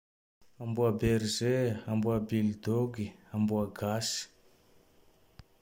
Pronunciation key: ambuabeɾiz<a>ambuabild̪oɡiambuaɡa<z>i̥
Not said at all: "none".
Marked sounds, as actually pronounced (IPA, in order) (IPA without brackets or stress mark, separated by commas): e, s